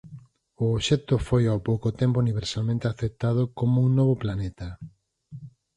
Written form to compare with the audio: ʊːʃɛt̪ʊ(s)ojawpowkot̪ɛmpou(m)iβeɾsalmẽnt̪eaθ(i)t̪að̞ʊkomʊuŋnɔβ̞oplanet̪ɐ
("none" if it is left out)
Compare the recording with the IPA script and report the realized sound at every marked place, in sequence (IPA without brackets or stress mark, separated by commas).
f, n, e